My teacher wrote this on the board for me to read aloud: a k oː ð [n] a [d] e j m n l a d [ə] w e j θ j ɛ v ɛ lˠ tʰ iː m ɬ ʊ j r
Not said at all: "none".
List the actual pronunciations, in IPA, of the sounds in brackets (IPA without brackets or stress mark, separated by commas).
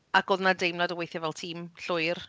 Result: n, d, ə